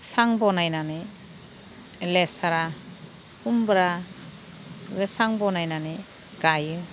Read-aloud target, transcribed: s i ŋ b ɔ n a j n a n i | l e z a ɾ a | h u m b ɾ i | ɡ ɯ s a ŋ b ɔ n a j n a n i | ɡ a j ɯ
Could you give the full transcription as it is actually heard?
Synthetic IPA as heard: s a ŋ b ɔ n a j n a n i | l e s a ɾ a | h u m b ɾ a | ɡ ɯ s a ŋ b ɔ n a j n a n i | ɡ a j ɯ